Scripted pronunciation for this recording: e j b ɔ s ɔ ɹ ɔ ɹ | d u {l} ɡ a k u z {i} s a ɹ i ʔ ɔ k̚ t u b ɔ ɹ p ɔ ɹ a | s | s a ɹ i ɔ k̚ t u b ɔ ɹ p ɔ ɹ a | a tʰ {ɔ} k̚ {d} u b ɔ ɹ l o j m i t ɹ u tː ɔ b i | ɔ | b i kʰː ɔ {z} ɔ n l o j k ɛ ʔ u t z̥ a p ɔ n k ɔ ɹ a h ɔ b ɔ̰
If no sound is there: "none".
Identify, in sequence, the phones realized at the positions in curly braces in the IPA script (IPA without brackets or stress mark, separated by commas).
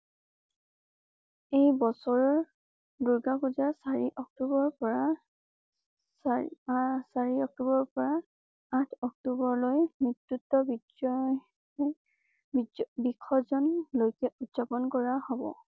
ɹ, a, ɔ, t, z